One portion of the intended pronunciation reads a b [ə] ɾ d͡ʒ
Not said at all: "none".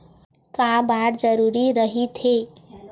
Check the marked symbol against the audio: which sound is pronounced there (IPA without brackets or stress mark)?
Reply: a